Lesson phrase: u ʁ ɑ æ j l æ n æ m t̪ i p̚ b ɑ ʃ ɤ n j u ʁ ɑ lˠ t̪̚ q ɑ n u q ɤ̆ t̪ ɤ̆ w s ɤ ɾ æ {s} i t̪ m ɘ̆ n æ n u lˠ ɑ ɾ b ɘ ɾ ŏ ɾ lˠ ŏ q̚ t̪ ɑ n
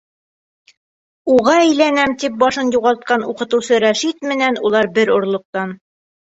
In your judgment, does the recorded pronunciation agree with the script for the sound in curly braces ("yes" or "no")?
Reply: no